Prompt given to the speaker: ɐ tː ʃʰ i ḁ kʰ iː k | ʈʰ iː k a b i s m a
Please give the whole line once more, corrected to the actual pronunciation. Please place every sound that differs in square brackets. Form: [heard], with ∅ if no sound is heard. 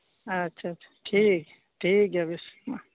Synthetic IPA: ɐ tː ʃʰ [a] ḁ [ʈʰ] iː k | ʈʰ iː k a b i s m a